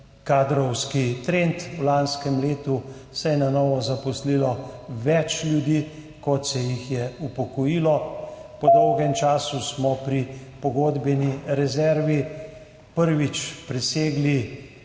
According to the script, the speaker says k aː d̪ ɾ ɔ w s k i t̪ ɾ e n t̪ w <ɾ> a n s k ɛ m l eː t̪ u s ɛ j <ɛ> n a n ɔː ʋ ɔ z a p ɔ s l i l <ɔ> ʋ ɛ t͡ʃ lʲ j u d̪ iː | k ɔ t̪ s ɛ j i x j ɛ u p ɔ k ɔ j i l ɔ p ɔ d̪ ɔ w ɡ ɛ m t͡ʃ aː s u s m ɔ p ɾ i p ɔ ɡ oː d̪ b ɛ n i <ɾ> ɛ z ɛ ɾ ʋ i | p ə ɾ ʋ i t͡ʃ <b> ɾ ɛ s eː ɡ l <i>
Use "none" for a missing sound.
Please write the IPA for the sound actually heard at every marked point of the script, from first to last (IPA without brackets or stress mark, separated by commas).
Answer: l, ɛ, ɔ, ɾ, p, i